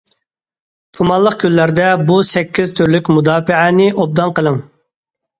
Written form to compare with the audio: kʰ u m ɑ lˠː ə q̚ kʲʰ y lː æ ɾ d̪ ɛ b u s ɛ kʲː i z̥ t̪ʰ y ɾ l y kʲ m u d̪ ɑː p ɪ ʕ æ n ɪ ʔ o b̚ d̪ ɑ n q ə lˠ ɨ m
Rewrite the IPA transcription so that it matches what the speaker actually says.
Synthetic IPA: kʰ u m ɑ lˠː ə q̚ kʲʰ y lː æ ɾ d̪ ɛ b u s ɛ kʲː i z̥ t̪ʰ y ɾ l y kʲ m u d̪ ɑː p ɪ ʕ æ n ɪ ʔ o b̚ d̪ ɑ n q ə lˠ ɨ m

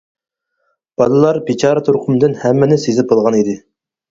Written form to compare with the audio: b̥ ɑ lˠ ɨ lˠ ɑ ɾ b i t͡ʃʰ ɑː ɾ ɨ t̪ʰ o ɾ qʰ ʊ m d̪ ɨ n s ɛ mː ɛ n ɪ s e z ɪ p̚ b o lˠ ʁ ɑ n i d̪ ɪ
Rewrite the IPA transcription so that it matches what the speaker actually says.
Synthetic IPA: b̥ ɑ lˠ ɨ lˠ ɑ ɾ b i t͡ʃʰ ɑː ɾ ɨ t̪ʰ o ɾ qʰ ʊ m d̪ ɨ n h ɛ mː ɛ n ɪ s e z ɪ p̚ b o lˠ ʁ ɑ n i d̪ ɪ

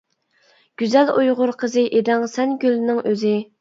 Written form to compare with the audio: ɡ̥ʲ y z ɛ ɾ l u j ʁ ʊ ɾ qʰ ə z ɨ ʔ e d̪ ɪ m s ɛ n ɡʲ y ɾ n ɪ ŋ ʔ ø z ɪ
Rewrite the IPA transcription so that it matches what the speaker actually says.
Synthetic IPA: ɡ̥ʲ y z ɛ l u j ʁ ʊ ɾ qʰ ə z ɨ ʔ e d̪ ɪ ŋ s ɛ n ɡʲ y l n ɪ ŋ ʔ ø z ɪ

